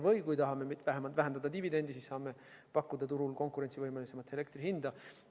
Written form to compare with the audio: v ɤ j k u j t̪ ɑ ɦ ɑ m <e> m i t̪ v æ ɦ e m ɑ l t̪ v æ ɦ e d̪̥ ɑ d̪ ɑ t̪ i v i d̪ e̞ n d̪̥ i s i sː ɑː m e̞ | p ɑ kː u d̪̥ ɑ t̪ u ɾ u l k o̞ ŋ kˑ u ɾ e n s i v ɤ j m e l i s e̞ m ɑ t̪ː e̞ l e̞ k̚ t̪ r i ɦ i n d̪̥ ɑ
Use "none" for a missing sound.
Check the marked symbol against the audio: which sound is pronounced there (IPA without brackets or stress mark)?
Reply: e